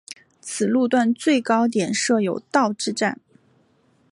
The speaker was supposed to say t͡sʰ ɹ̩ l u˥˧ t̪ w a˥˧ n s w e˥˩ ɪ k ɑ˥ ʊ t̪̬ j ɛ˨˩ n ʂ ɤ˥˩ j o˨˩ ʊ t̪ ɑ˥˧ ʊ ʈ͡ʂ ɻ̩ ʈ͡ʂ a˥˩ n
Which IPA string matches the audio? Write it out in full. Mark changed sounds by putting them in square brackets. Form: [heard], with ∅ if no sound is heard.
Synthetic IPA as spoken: t͡sʰ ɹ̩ l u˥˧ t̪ w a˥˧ n [t͡s] w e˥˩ ɪ k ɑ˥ ʊ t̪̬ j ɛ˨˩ n ʂ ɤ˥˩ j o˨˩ ʊ t̪ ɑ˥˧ ʊ ʈ͡ʂ ɻ̩ ʈ͡ʂ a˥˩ n